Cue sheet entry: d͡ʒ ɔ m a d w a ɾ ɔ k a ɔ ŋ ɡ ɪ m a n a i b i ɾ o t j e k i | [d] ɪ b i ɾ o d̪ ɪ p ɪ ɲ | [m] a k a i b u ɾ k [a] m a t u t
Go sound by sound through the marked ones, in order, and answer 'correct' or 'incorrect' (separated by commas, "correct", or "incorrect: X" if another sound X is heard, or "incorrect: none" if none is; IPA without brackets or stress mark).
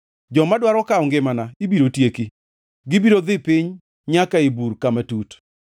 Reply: incorrect: ɡ, incorrect: ɲ, correct